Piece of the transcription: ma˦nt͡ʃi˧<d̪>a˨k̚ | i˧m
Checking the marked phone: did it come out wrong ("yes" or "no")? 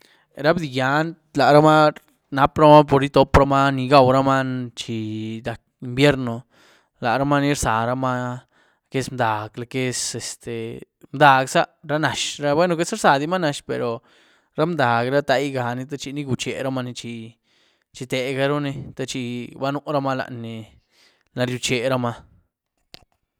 no